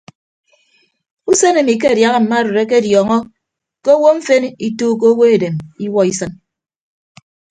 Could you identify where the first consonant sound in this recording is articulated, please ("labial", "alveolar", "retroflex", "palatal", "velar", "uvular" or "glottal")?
alveolar